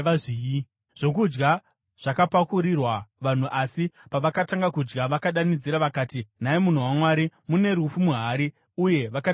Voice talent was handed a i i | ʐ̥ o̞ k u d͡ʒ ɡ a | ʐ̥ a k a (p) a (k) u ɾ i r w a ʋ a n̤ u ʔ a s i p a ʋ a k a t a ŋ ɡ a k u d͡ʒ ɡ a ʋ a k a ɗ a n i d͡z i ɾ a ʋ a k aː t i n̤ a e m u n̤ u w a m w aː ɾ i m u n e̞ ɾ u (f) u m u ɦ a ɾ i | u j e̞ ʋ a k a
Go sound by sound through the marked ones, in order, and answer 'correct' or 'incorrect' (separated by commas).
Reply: correct, correct, correct